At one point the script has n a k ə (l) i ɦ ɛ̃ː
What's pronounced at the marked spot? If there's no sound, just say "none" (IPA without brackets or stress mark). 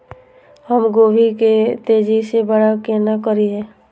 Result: ɾ